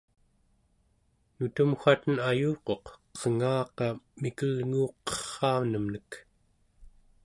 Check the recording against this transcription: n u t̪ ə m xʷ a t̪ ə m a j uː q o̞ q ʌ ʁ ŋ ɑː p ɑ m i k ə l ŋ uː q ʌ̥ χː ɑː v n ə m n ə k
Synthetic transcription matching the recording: n u t̪ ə m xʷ a t̪ ə n a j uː q o̞ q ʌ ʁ ŋ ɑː q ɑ m i k ə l ŋ uː q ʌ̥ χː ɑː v n ə m n ə k